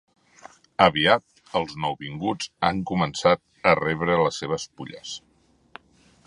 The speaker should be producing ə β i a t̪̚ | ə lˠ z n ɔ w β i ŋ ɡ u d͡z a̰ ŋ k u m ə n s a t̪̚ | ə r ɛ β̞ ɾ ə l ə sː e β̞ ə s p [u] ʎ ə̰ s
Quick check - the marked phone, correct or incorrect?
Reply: correct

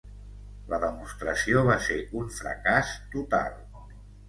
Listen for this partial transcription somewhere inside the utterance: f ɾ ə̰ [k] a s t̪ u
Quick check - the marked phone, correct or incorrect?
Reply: correct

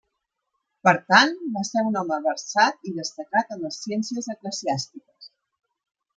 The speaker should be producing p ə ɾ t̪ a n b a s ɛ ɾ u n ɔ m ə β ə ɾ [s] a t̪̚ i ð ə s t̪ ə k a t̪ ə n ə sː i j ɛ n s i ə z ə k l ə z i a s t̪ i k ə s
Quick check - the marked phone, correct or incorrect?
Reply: correct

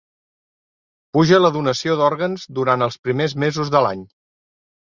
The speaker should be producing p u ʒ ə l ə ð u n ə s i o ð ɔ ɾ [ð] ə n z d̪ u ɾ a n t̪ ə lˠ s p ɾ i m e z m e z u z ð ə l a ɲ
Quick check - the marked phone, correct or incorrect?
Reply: incorrect: ɣ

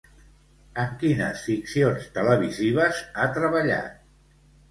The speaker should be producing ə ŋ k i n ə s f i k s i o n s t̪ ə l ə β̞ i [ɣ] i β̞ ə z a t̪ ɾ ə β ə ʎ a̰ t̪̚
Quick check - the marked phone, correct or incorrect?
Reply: incorrect: z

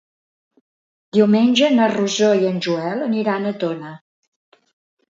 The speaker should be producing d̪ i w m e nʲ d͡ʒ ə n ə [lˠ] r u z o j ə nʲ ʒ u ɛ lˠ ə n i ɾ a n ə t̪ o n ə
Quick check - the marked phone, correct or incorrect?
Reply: incorrect: none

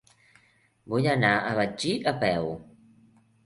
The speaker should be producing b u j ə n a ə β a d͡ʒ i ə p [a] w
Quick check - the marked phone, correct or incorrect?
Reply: incorrect: ɛ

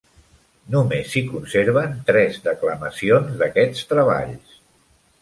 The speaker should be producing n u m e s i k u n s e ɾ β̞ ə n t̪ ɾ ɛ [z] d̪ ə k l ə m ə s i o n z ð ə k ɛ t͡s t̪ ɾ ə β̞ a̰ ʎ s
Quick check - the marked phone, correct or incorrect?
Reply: correct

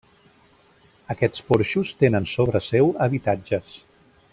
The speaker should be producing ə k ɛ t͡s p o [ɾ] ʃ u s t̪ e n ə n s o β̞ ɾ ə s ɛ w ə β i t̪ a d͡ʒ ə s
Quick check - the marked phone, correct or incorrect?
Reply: correct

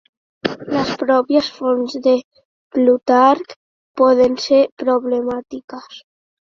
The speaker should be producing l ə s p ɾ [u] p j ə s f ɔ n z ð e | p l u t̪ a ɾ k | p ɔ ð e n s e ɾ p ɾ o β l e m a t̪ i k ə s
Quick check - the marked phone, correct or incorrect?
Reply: incorrect: ɔ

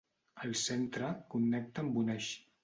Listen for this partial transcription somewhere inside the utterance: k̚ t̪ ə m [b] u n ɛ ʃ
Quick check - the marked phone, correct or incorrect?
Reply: correct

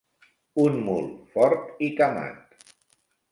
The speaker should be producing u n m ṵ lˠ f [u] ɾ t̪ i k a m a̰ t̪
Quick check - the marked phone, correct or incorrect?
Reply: incorrect: ɔ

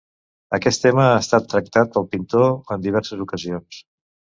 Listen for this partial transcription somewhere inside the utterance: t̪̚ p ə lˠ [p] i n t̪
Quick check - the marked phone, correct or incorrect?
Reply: correct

